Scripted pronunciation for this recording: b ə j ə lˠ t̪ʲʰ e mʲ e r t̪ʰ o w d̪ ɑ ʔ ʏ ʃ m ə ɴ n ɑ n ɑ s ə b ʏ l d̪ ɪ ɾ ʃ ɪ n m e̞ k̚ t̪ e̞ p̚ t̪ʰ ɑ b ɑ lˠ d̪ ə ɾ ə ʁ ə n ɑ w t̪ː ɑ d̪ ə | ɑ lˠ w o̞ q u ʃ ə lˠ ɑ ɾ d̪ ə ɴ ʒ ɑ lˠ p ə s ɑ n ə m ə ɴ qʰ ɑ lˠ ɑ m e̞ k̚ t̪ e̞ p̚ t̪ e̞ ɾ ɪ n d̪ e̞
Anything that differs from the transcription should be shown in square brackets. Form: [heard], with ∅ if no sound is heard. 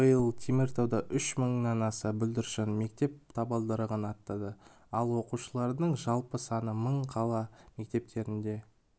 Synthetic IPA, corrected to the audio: b ə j ə lˠ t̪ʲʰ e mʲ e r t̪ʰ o w d̪ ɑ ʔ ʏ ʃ m ə ɴ n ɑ n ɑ s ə b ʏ l d̪ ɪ ɾ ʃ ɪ n m e̞ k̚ t̪ e̞ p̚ t̪ʰ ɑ b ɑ lˠ d̪ ə ɾ ə ʁ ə n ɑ [∅] t̪ː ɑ d̪ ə | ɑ lˠ w o̞ q u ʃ ə lˠ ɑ ɾ d̪ ə ɴ ʒ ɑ lˠ p ə s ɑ n ə m ə ɴ qʰ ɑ lˠ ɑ m e̞ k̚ t̪ e̞ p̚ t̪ e̞ ɾ ɪ n d̪ e̞